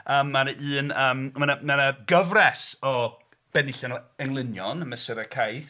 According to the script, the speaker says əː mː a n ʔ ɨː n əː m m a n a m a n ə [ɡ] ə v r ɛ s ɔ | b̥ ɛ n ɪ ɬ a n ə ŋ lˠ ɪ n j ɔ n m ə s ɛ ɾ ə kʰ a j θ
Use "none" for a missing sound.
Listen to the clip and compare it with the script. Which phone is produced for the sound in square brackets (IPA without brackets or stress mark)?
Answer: ɡ